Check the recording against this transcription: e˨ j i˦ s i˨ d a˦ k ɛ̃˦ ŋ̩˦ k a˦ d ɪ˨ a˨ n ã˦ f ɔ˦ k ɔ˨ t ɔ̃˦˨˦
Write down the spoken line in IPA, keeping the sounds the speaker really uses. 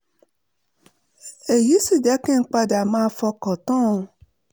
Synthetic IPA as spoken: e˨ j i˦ s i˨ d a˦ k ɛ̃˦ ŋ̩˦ k͡p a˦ d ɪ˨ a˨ m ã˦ f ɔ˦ k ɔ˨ t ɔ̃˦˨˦